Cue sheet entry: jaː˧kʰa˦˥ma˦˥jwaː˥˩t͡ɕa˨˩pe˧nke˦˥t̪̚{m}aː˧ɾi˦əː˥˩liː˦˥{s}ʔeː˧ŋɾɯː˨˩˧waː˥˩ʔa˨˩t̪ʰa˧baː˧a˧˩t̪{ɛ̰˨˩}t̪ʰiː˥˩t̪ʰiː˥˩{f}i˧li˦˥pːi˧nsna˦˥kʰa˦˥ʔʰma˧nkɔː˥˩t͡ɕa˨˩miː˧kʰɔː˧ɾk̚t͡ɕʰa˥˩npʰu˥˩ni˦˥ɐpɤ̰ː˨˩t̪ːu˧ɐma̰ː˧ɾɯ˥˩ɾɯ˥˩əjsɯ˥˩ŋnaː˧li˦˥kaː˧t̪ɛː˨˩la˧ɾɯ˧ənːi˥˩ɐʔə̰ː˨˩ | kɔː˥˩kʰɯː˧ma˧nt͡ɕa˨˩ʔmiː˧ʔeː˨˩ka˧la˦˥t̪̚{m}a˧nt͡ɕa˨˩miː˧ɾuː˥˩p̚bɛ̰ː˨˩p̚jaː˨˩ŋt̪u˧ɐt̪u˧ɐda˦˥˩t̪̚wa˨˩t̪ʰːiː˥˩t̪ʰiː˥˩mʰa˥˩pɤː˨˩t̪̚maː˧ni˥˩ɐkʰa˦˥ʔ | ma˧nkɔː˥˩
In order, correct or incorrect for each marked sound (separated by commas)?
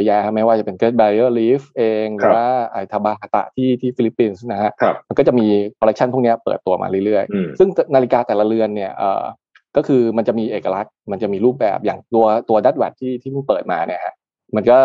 incorrect, incorrect, incorrect, correct, correct